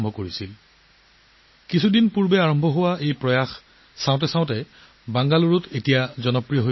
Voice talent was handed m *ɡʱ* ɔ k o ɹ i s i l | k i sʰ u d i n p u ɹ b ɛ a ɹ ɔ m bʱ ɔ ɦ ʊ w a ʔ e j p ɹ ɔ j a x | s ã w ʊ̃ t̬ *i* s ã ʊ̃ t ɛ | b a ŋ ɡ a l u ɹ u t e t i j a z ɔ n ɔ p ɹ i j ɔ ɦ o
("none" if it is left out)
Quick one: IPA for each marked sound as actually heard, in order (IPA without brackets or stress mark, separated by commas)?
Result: bʱ, ɛ